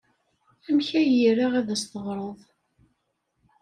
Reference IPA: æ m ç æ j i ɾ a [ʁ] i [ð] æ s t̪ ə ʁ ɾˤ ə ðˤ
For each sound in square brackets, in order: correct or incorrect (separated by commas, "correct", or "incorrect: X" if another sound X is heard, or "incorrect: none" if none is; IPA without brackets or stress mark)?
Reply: correct, correct